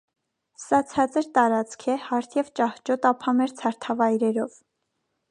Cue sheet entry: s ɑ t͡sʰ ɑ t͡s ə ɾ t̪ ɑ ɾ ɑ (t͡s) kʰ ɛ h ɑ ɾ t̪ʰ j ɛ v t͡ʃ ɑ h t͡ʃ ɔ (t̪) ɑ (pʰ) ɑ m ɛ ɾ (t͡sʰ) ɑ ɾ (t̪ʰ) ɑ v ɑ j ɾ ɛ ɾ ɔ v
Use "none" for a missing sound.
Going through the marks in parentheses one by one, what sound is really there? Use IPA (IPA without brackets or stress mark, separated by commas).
t͡s, t̪, pʰ, t͡sʰ, t̪ʰ